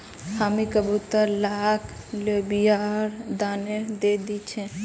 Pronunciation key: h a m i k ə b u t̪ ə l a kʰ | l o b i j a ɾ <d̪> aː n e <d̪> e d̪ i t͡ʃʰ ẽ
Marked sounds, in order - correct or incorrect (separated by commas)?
correct, correct